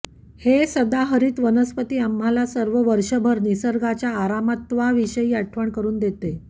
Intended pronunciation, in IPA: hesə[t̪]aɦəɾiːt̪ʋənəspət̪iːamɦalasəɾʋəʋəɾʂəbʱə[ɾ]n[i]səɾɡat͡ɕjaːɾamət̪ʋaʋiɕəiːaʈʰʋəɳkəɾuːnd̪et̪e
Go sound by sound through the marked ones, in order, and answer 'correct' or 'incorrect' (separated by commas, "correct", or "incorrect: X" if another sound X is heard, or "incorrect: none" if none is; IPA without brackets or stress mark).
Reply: incorrect: d̪, correct, correct